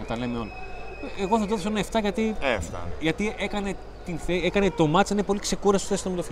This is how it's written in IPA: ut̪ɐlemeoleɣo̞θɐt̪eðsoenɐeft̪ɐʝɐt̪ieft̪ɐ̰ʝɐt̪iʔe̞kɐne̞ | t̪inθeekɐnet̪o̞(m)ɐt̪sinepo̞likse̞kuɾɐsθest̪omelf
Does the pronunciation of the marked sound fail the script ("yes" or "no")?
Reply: no